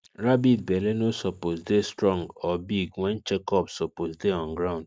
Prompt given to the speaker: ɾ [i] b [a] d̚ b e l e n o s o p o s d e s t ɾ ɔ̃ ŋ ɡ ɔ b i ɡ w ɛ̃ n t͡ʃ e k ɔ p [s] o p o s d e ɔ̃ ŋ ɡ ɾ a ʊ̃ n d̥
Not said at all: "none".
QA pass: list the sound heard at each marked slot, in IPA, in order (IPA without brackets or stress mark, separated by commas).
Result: a, i, s